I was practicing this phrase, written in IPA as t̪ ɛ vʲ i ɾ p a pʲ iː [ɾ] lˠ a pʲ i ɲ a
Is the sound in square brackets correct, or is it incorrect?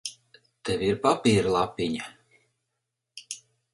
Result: correct